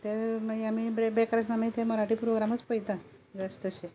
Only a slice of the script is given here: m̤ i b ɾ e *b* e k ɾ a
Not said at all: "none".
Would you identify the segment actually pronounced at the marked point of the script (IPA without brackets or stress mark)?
b